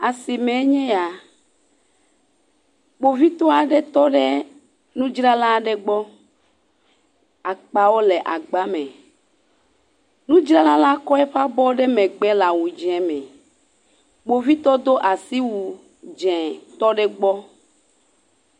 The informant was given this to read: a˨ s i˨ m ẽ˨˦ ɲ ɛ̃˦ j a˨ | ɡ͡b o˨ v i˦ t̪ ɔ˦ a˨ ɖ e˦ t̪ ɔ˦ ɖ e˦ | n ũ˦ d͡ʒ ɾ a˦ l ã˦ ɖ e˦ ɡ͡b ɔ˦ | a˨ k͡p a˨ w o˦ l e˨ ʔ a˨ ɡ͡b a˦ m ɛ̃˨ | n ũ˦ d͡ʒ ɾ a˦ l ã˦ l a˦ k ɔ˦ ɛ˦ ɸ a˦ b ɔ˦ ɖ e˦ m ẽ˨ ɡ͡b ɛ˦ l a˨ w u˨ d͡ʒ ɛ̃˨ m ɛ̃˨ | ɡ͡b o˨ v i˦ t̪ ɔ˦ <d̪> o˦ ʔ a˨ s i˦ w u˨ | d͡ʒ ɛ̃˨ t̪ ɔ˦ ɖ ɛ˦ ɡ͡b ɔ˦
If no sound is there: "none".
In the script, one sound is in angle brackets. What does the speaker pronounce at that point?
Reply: d̪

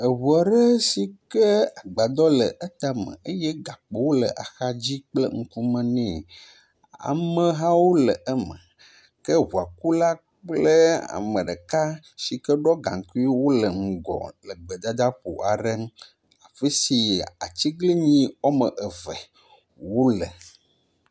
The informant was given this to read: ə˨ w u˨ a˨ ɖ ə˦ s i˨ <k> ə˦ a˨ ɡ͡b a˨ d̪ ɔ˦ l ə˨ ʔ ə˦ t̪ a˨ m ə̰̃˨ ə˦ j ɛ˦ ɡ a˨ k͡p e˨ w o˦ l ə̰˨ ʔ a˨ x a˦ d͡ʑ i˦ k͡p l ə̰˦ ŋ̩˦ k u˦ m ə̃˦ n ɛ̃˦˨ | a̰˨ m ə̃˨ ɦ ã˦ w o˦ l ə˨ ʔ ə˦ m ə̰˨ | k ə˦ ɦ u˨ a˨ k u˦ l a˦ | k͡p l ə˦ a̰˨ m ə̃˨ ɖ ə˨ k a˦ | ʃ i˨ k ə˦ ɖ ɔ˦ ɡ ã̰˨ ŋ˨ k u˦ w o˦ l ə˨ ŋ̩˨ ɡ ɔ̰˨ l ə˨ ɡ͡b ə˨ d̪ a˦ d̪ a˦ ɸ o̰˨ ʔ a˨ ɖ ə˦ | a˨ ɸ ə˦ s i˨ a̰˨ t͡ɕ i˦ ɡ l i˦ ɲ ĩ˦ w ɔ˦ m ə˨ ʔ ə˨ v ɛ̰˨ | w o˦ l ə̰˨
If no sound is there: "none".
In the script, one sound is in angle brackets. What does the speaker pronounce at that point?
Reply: k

